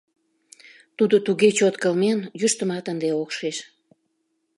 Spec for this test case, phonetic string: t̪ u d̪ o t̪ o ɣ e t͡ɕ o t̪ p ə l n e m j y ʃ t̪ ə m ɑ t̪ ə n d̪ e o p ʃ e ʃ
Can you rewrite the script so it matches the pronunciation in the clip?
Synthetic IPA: t̪ u d̪ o t̪ u ɣ e t͡ɕ o t̪ k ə l m e n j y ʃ t̪ ə m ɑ t̪ ə n d̪ e o k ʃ e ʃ